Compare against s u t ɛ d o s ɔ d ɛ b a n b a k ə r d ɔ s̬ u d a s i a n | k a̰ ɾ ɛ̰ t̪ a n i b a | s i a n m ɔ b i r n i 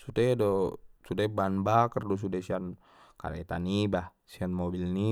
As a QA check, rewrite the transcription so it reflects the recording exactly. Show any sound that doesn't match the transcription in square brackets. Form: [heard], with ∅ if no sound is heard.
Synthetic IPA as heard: s u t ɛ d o s [u] d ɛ b a n b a k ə r d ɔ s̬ u d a s i a n | k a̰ ɾ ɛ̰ t̪ a n i b a | s i a n m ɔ b i [l] n i